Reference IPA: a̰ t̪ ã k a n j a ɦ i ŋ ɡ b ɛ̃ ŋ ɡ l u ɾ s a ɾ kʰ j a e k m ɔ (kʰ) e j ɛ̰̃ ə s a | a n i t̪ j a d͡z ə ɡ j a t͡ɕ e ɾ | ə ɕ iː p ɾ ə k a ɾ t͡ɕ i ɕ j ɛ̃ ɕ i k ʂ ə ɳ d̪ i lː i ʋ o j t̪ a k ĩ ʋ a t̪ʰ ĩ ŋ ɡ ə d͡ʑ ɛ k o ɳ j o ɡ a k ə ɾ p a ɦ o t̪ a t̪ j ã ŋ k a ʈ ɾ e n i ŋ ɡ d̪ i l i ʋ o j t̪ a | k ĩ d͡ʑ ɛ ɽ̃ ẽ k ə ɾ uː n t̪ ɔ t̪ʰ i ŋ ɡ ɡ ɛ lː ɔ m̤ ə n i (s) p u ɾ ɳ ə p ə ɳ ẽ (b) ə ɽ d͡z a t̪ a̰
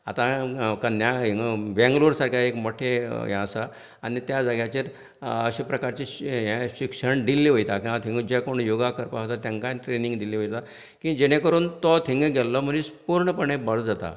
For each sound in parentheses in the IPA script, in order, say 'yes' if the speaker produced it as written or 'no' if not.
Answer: no, yes, yes

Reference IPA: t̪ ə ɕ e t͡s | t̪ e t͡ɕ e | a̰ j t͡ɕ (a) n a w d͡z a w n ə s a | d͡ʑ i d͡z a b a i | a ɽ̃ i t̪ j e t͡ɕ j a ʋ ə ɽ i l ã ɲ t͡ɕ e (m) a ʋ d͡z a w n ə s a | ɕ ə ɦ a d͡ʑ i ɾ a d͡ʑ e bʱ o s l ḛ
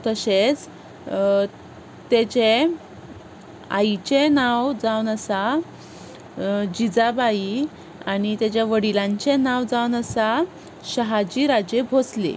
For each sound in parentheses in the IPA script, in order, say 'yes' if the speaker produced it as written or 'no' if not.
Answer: no, no

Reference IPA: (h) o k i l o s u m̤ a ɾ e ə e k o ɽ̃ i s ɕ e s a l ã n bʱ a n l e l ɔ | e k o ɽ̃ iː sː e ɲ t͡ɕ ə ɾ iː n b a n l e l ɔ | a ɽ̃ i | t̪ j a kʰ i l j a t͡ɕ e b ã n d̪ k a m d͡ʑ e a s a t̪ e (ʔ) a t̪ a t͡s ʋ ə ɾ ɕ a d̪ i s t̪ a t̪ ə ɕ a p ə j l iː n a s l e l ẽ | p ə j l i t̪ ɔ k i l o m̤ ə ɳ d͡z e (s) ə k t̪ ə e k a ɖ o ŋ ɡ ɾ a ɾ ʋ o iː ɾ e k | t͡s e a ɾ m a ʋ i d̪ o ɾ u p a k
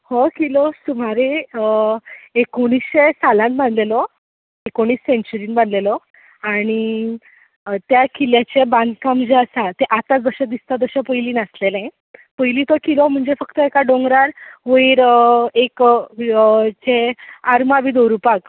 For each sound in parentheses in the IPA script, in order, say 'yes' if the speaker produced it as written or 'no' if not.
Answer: yes, yes, no

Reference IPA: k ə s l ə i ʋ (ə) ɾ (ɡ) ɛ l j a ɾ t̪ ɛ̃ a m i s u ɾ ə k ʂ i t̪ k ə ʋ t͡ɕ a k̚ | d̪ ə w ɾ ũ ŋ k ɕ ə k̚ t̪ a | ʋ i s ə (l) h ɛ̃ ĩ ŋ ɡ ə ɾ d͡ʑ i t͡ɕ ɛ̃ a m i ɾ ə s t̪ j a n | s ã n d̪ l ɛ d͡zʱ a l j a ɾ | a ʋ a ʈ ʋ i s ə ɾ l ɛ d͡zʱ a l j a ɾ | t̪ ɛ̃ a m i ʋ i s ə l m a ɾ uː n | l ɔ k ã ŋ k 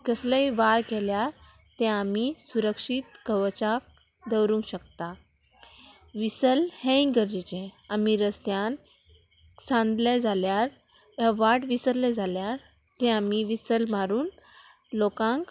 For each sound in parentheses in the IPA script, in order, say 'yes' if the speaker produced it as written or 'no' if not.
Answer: no, no, yes

